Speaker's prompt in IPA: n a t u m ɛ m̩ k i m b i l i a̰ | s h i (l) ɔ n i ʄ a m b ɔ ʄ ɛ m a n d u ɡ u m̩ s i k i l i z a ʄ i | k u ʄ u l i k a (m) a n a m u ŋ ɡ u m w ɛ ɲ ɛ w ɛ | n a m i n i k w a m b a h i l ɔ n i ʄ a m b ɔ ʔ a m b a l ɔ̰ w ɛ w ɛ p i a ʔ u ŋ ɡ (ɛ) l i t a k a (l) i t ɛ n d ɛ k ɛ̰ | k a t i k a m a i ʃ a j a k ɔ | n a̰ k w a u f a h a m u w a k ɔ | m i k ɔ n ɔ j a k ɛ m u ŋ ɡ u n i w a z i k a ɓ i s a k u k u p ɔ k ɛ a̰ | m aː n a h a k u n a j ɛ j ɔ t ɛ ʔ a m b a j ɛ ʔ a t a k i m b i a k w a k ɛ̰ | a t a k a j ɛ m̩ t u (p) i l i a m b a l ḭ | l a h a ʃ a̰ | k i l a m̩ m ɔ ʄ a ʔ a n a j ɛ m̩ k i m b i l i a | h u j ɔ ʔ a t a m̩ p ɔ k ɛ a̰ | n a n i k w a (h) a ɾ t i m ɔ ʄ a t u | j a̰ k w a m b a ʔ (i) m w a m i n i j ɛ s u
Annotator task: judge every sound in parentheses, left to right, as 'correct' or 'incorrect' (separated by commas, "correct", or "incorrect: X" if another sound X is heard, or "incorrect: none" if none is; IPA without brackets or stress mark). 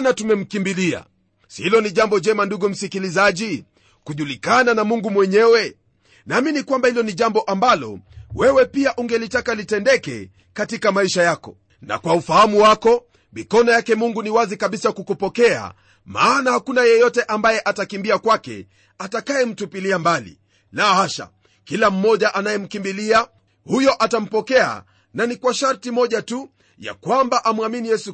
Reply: correct, incorrect: n, correct, correct, correct, incorrect: ʃ, incorrect: a